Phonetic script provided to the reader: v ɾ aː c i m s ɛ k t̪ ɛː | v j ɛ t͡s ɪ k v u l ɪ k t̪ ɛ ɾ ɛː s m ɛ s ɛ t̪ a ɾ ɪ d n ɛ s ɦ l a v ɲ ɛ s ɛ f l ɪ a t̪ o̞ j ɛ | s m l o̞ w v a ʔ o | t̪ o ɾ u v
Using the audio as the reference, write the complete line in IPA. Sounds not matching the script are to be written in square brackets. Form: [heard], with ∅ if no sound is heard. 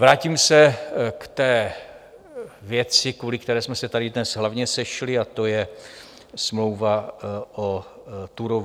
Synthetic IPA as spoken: v ɾ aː c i m s ɛ k t̪ ɛː | v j ɛ t͡s ɪ k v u l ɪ k t̪ ɛ ɾ ɛː s m ɛ s ɛ t̪ a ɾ ɪ d n ɛ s ɦ l a v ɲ ɛ s ɛ [ʃ] l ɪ a t̪ o̞ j ɛ | s m l o̞ w v a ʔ o | t̪ [u] ɾ [o] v